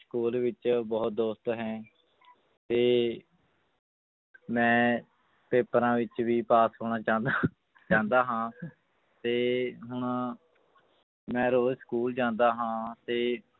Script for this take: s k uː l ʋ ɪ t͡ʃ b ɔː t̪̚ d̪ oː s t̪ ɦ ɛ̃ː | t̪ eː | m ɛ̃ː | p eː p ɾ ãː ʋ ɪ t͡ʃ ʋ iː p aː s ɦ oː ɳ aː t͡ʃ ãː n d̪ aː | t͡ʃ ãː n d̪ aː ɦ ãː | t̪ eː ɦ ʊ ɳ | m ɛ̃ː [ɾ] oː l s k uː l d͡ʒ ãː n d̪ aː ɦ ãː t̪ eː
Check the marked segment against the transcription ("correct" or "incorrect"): correct